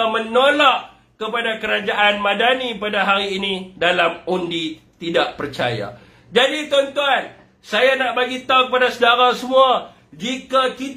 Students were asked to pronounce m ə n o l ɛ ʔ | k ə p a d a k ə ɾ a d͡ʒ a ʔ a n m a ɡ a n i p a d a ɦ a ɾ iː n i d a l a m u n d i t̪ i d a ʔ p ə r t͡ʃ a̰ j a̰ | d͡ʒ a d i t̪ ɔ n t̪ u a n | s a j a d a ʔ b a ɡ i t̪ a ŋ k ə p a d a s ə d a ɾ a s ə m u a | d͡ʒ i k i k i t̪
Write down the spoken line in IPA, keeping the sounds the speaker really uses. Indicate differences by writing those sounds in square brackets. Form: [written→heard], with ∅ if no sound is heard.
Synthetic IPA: m ə n o l [ɛ→a] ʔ | k ə p a d a k ə ɾ a d͡ʒ a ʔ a n m a [ɡ→d] a n i p a d a ɦ a ɾ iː n i d a l a m u n d i t̪ i d a ʔ p ə r t͡ʃ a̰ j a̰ | d͡ʒ a d i t̪ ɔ n t̪ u a n | s a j a [d→n] a ʔ b a ɡ i t̪ a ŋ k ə p a d a s ə d a ɾ a s ə m u a | d͡ʒ i k [i→a] k i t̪